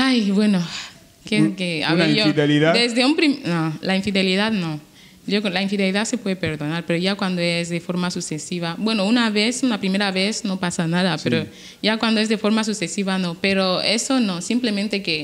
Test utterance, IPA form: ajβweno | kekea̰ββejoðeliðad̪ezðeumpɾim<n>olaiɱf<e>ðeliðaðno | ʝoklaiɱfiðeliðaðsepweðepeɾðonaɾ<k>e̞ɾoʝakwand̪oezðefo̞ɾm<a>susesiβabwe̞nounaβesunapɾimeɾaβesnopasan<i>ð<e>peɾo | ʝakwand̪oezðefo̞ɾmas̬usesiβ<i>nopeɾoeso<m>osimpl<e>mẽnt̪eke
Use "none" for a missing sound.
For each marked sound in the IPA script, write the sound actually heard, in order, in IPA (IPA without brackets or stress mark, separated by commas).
n, i, p, a, a, a, a, n, e